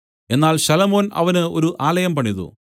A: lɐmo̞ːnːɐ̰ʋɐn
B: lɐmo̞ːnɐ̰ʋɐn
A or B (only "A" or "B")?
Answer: B